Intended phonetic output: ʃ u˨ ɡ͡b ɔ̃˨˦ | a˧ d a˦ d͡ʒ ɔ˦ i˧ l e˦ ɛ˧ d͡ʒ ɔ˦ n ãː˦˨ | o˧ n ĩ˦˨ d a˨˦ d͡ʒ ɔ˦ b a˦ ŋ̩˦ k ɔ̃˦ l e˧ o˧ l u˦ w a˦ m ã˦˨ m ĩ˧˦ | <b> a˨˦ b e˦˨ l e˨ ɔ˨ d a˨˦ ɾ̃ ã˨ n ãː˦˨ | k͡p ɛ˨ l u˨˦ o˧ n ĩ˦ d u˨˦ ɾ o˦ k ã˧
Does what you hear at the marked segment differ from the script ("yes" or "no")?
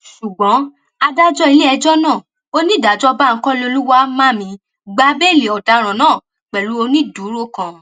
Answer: yes